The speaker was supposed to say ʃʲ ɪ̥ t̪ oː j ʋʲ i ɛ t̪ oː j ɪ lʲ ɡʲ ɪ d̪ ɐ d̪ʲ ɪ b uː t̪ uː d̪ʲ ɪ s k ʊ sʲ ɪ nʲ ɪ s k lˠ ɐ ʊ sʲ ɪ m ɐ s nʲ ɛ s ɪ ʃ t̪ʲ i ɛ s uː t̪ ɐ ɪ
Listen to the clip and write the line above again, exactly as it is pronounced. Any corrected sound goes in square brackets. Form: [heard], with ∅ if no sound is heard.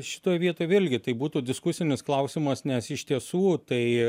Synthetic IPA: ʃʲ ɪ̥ t̪ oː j ʋʲ i ɛ t̪ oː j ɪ lʲ ɡʲ ɪ [t̪] ɐ [∅] ɪ b uː t̪ uː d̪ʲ ɪ s k ʊ sʲ ɪ nʲ ɪ s k lˠ ɐ ʊ sʲ ɪ m ɐ s nʲ ɛ s ɪ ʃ t̪ʲ i ɛ s uː t̪ ɐ ɪ

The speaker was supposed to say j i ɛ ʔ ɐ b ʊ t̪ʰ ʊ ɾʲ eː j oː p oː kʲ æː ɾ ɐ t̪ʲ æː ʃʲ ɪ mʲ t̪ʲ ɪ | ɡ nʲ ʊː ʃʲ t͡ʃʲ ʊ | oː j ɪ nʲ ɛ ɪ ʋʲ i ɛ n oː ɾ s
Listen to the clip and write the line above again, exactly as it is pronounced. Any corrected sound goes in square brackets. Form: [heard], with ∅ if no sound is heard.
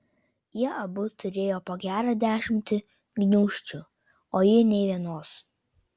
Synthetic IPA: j i ɛ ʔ ɐ b ʊ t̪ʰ ʊ ɾʲ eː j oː p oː [ɡʲ] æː ɾ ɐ [d̪ʲ] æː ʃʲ ɪ mʲ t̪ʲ ɪ | ɡ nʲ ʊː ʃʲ t͡ʃʲ ʊ | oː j ɪ nʲ ɛ ɪ ʋʲ i ɛ n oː [∅] s

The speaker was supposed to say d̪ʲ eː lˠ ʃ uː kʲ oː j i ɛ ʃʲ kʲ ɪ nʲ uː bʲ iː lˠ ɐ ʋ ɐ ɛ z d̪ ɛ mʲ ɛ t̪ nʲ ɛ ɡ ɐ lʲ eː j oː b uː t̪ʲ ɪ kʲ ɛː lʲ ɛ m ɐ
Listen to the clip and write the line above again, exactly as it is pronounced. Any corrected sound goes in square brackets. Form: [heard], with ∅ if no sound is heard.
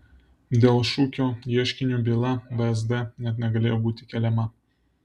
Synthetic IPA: d̪ʲ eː lˠ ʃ uː kʲ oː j i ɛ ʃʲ kʲ ɪ nʲ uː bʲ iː lˠ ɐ ʋ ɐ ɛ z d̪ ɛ [nʲ] ɛ t̪ nʲ ɛ ɡ ɐ lʲ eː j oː b uː t̪ʲ ɪ kʲ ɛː lʲ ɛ m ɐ

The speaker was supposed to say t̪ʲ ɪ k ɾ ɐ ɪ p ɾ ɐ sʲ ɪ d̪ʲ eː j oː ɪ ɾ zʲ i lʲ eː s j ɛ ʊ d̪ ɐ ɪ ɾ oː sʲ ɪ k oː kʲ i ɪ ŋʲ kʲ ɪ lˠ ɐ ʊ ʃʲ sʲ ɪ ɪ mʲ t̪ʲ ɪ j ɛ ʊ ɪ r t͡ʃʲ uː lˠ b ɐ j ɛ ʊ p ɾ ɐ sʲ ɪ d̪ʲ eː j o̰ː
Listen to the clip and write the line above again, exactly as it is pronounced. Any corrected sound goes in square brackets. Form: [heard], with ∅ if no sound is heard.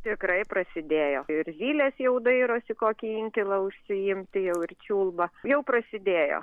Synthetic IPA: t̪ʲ ɪ k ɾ ɐ ɪ p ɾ ɐ sʲ ɪ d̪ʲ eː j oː ɪ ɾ zʲ [iː] lʲ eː s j ɛ ʊ d̪ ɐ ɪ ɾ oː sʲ ɪ k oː kʲ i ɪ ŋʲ kʲ ɪ lˠ ɐ ʊ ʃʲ sʲ ɪ ɪ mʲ t̪ʲ ɪ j ɛ ʊ ɪ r t͡ʃʲ uː lˠ b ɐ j ɛ ʊ p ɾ ɐ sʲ ɪ d̪ʲ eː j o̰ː

